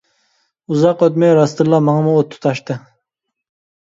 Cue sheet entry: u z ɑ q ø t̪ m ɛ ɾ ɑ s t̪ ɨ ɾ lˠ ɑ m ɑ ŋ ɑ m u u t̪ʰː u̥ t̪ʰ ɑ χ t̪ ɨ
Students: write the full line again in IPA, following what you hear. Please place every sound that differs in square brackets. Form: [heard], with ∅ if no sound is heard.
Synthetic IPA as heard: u z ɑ q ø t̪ m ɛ ɾ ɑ s t̪ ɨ ɾ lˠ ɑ m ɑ ŋ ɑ m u [o] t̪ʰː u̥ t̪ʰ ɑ [ʃ] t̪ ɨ